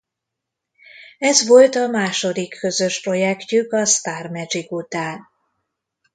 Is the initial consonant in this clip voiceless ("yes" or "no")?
no